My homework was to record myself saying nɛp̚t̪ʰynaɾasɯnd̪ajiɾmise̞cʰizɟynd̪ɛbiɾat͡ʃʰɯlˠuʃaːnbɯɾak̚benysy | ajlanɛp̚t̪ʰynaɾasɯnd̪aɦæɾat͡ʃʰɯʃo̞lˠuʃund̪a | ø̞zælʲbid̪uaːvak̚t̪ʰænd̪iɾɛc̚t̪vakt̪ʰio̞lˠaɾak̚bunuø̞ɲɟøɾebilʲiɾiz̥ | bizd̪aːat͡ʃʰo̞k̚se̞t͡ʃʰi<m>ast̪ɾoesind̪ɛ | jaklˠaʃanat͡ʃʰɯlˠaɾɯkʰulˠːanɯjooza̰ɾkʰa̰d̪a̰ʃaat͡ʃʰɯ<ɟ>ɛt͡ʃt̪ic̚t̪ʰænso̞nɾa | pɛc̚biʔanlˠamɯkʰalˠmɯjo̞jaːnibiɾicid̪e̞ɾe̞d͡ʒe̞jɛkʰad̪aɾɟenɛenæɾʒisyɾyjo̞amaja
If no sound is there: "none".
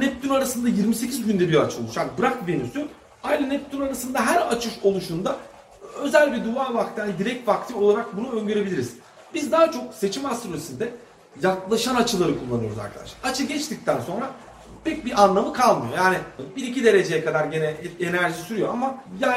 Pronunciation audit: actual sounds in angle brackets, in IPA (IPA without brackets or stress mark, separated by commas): m, ɟ